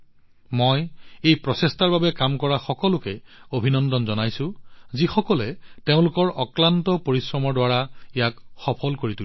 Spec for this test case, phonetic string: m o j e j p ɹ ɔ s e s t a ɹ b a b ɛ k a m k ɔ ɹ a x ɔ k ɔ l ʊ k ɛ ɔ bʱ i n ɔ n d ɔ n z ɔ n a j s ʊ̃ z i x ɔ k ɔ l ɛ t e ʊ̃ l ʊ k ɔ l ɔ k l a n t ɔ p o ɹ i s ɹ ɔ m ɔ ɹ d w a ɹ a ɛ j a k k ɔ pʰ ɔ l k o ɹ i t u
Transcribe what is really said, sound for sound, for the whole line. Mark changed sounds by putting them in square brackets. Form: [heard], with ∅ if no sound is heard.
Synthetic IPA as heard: m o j e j p ɹ ɔ s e s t a ɹ b a b ɛ k a m k ɔ ɹ a x ɔ k ɔ l ʊ k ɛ [o] bʱ i n ɔ n d ɔ n z ɔ n a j s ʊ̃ z i x ɔ k ɔ l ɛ t e ʊ̃ l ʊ k ɔ [ɹ] ɔ k l a n t ɔ p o ɹ i s ɹ ɔ m ɔ ɹ d w a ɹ a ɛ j a k [x] ɔ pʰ ɔ l k o ɹ i t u